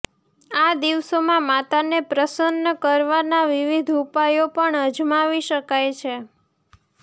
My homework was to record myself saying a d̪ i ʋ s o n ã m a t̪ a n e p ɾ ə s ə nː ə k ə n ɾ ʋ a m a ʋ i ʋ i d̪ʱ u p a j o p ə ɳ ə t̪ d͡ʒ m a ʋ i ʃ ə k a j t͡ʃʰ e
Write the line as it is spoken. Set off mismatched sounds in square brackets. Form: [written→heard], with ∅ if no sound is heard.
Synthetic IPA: a d̪ i ʋ s o [n→m] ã m a t̪ a n e p ɾ ə s ə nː ə k ə [n→∅] ɾ ʋ a [m→n] a ʋ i ʋ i d̪ʱ u p a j o p ə ɳ ə [t̪→∅] d͡ʒ m a ʋ i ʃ ə k a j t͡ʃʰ e

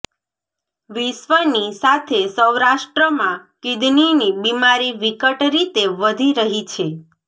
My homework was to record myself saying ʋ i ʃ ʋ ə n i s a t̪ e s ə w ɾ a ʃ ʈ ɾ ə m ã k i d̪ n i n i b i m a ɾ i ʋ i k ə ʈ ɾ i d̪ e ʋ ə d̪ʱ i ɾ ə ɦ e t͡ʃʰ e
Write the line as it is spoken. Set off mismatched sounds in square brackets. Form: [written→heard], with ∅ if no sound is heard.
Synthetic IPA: ʋ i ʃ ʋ ə n i s a [t̪→t̪ʰ] e s ə w ɾ a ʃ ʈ ɾ ə m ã k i d̪ n i n i b i m a ɾ i ʋ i k ə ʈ ɾ i [d̪→t̪] e ʋ ə d̪ʱ i ɾ ə ɦ [e→i] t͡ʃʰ e

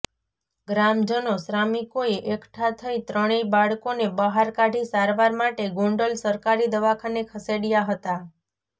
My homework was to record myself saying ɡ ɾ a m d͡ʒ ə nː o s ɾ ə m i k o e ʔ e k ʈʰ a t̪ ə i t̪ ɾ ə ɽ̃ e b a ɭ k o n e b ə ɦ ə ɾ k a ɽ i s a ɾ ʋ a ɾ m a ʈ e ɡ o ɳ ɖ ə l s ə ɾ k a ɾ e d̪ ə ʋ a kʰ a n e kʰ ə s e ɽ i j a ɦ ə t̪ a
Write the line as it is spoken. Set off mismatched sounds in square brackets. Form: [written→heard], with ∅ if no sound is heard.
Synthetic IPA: ɡ ɾ a m d͡ʒ ə [nː→n] o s ɾ [ə→a] m i k o e ʔ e k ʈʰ a [t̪→t̪ʰ] ə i t̪ ɾ ə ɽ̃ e b a ɭ k o n e b ə ɦ [ə→a] ɾ k a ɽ i s a ɾ ʋ a ɾ m a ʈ e ɡ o ɳ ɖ ə l s ə ɾ k a ɾ [e→i] d̪ ə ʋ a kʰ a n e kʰ ə s e ɽ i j a ɦ ə t̪ a

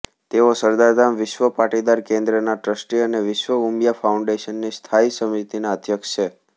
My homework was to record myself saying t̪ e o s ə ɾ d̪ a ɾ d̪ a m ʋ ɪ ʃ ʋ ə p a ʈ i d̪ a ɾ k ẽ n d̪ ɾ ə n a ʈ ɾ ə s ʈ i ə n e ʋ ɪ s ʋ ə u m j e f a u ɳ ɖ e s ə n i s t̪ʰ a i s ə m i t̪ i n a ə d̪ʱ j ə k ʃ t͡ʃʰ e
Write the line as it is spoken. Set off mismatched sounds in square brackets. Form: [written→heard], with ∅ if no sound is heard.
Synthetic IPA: t̪ e o s ə ɾ d̪ a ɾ d̪ a m ʋ ɪ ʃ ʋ ə p a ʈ i d̪ a ɾ k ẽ n d̪ ɾ ə n a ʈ ɾ ə s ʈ i ə n e ʋ ɪ [s→ʃ] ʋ ə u m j [e→a] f a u ɳ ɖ e [s→ʃ] ə [n→nː] i s t̪ʰ a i s ə m i t̪ i n a ə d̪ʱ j ə k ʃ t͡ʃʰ e

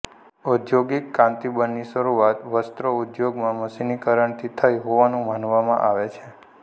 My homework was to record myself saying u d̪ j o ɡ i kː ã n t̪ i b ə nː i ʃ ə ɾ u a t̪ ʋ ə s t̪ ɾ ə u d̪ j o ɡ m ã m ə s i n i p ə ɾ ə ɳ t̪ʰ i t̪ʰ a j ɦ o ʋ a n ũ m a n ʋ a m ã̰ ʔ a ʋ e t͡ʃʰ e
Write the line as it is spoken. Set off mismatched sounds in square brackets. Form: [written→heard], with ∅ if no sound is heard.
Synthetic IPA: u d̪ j o ɡ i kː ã n t̪ i b ə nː i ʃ ə ɾ u a t̪ ʋ ə s t̪ ɾ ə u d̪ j o ɡ m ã m ə s i n i [p→k] ə ɾ ə ɳ t̪ʰ i t̪ʰ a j ɦ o ʋ a n ũ m a n ʋ a m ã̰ ʔ a ʋ e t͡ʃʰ e

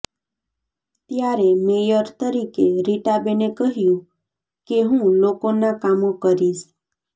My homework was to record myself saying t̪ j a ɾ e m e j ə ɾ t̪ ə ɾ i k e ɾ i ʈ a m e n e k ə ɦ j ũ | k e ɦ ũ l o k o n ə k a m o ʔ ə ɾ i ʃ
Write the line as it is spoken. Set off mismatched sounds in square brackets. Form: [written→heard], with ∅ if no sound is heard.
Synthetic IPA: t̪ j a ɾ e m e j ə ɾ t̪ ə ɾ i k e ɾ i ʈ a [m→b] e n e k ə ɦ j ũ | k e ɦ ũ l o k o n [ə→a] k a m o [ʔ→k] ə ɾ i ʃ

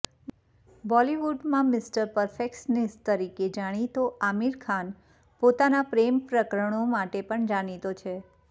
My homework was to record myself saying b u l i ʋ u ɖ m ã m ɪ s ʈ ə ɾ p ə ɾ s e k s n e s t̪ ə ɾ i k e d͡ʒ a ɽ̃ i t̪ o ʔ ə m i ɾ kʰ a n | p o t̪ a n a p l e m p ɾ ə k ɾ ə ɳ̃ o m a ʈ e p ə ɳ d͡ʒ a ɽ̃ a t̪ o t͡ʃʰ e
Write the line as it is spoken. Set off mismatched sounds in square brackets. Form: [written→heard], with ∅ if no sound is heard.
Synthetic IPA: b [u→ɔ] l i ʋ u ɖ m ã m ɪ s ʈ ə ɾ p ə ɾ [s→f] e k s n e s t̪ ə ɾ i k e d͡ʒ a ɽ̃ i t̪ o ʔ [ə→a] m i ɾ kʰ a n | p o t̪ a n a p [l→ɾ] e m p ɾ ə k ɾ ə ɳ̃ o m a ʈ e p ə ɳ d͡ʒ a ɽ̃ [a→i] t̪ o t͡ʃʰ e

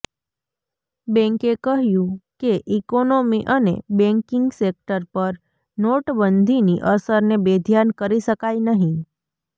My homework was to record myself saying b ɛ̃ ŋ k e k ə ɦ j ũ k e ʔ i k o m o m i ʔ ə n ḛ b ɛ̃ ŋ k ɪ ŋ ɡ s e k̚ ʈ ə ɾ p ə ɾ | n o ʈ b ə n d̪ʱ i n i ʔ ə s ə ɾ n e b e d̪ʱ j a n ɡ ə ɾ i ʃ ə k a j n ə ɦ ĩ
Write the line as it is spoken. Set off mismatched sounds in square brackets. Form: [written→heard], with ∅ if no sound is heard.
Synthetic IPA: b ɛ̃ ŋ k e k ə ɦ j ũ k e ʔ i k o [m→n] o m i ʔ ə n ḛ b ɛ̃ ŋ k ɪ ŋ ɡ s e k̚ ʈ ə ɾ p ə ɾ | n o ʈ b ə n d̪ʱ i n i ʔ ə s ə ɾ n e b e d̪ʱ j a n [ɡ→k] ə ɾ i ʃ ə k a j n ə ɦ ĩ

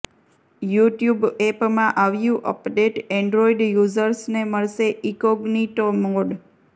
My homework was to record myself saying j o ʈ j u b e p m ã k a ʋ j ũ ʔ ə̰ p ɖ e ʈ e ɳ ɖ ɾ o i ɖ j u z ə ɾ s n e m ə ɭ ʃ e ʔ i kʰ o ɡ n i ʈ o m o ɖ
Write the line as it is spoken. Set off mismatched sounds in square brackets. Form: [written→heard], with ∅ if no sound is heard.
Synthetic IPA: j [o→u] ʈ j u b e p m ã [k→ʔ] a ʋ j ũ ʔ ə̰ p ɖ e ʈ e ɳ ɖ ɾ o i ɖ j u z ə ɾ s n e m ə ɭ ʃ e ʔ i [kʰ→k] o ɡ n i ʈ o m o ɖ

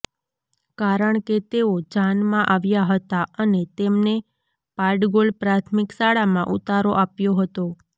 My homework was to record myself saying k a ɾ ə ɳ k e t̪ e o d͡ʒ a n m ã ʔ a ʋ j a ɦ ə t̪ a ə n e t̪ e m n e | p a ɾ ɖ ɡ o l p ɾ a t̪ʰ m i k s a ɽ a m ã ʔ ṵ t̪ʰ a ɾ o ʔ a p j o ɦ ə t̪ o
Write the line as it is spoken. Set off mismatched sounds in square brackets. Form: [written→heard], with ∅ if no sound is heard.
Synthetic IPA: k a ɾ ə ɳ k e t̪ e o d͡ʒ a n m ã ʔ a ʋ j a ɦ ə t̪ a ə n e t̪ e m n e | p a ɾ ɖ ɡ o l p ɾ a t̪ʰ m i k s a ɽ a m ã ʔ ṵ [t̪ʰ→t̪] a ɾ o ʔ a p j o ɦ ə t̪ o

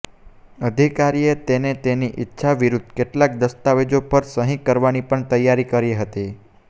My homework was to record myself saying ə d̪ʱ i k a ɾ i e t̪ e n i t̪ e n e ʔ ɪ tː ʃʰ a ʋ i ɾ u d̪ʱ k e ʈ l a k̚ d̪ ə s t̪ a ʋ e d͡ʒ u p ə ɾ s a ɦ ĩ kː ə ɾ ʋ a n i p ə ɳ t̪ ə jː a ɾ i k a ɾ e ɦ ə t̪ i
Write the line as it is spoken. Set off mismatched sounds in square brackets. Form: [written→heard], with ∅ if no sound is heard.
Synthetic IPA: ə d̪ʱ i k a ɾ i e t̪ e n [i→e] t̪ e n [e→i] ʔ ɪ tː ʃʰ a ʋ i ɾ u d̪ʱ k e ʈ l a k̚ d̪ ə s t̪ a ʋ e d͡ʒ [u→o] p ə ɾ s [a→ə] ɦ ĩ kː ə ɾ ʋ a n i p ə ɳ t̪ ə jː a ɾ i k [a→ə] ɾ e ɦ ə t̪ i

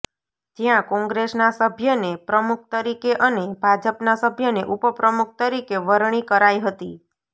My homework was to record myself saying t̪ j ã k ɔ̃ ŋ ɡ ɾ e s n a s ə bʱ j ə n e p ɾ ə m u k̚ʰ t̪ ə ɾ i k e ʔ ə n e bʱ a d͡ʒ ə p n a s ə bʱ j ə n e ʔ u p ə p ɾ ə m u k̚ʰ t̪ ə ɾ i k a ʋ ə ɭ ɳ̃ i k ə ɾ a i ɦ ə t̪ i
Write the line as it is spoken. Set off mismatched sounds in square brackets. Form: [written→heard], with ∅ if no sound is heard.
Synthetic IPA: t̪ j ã k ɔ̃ ŋ ɡ ɾ e s n a s ə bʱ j ə n e p ɾ ə m u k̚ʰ t̪ ə ɾ i k e ʔ ə n e bʱ a d͡ʒ ə p n a s ə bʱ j ə n e ʔ u p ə p ɾ ə m u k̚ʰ t̪ ə ɾ i k [a→e] ʋ ə [ɭ→ɾ] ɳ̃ i k ə ɾ a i ɦ ə t̪ i

